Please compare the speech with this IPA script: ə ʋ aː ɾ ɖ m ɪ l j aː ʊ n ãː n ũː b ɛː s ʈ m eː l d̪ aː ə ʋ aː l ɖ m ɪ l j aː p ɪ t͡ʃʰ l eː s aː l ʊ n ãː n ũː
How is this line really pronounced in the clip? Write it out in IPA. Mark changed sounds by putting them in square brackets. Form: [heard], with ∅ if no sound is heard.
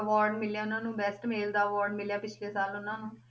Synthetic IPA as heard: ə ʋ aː ɾ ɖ m ɪ l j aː ʊ n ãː n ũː b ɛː s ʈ m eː l d̪ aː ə ʋ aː [ɾ] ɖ m ɪ l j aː p ɪ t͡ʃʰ l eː s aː l ʊ n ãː n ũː